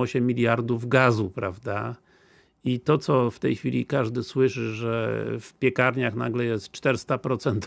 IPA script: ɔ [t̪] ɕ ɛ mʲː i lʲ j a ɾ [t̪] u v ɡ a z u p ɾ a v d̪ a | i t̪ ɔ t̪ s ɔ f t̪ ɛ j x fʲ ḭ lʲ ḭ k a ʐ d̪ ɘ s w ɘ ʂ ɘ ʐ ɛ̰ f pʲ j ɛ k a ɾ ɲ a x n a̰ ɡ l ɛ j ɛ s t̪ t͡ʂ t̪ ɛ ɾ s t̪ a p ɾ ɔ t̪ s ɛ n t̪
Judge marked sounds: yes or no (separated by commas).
no, no